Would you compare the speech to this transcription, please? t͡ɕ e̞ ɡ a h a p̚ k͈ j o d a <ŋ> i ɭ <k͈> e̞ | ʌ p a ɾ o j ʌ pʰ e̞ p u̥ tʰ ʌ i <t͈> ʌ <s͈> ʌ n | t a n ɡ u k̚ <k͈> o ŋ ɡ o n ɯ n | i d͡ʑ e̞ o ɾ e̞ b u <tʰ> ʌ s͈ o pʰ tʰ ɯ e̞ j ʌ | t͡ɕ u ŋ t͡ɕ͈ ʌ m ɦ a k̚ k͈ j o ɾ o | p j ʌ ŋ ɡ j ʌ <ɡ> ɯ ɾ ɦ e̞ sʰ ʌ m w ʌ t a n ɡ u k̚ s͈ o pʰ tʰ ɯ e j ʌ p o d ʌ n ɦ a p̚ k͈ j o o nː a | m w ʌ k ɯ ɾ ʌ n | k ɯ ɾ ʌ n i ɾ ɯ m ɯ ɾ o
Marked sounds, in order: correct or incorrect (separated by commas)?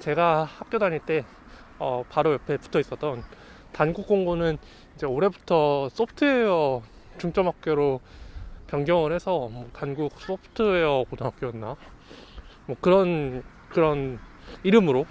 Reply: incorrect, incorrect, incorrect, incorrect, correct, correct, incorrect